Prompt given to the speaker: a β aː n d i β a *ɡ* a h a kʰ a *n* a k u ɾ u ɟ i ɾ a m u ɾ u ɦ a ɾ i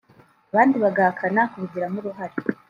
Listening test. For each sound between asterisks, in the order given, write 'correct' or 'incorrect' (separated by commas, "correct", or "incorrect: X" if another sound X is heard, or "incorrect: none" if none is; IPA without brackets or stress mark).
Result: correct, correct